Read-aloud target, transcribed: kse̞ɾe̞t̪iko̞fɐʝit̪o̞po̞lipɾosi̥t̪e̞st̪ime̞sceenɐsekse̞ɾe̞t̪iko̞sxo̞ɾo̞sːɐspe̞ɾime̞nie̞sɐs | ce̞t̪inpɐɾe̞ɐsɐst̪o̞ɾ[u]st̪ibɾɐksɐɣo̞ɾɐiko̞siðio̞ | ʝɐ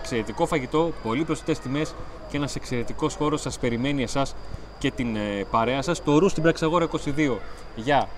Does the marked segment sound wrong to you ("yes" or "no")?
no